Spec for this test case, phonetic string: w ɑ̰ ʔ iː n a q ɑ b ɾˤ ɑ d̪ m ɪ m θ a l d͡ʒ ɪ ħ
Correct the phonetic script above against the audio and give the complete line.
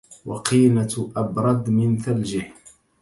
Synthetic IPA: w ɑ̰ q iː n a ʔ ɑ b ɾˤ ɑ d̪ m ɪ n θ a l d͡ʒ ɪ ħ